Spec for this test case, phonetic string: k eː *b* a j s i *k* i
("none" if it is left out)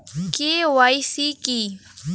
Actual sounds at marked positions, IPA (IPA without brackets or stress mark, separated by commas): w, k